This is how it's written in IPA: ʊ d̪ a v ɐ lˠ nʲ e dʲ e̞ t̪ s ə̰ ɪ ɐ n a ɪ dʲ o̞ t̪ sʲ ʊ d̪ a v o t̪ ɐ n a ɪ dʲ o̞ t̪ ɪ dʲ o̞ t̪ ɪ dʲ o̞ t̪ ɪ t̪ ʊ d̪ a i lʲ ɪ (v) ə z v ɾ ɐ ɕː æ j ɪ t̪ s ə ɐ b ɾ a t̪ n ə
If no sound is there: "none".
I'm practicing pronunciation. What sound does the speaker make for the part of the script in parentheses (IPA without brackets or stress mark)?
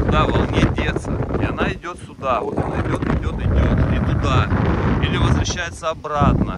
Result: v